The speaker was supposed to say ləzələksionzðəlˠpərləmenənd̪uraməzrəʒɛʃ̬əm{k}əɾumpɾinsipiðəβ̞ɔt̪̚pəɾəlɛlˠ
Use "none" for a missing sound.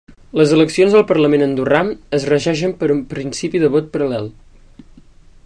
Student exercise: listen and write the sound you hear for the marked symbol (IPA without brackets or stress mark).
p